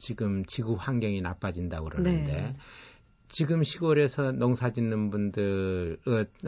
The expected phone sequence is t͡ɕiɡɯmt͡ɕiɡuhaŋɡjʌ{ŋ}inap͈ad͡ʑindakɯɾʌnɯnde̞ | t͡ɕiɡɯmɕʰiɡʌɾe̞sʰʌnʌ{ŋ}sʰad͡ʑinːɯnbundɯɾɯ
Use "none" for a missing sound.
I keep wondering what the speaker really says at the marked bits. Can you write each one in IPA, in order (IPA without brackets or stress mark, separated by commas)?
ŋ, ŋ